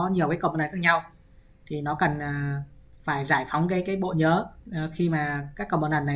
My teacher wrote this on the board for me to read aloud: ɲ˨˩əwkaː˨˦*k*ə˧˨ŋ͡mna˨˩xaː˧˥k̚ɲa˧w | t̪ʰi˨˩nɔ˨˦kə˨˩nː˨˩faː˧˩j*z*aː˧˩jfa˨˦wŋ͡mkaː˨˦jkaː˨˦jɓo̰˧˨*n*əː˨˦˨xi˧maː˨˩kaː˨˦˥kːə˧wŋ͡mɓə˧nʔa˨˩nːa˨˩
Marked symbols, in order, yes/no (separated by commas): yes, yes, no